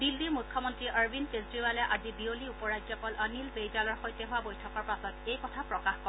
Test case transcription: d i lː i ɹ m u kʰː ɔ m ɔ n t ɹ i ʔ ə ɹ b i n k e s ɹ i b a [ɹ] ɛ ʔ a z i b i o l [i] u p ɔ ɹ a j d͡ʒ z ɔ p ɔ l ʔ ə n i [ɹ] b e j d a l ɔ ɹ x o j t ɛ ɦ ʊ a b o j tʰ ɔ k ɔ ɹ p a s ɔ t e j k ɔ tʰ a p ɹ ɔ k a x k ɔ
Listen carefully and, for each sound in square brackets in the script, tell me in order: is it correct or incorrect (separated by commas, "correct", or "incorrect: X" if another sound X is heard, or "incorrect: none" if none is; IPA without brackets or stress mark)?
incorrect: l, correct, incorrect: l